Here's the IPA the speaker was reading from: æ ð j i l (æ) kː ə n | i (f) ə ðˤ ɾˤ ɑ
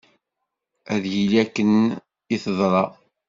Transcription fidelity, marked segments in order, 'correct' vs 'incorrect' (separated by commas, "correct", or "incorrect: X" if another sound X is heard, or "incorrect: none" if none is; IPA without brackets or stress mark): correct, incorrect: θ